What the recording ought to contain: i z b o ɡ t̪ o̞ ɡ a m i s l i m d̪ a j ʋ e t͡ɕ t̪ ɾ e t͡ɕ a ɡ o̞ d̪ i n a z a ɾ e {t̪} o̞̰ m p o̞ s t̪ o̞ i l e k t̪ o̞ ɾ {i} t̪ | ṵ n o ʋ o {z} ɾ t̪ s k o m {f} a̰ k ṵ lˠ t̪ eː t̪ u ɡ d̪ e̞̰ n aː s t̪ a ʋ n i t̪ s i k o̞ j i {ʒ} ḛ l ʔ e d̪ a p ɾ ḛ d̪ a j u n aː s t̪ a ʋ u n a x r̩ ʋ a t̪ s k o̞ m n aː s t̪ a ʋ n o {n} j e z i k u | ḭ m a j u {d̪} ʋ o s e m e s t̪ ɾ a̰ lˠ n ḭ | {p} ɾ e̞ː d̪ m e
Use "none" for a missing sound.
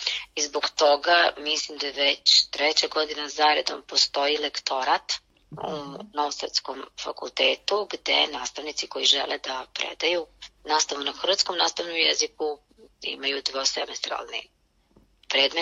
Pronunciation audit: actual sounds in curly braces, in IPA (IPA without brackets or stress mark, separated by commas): d̪, a, s, f, ʒ, m, d̪, p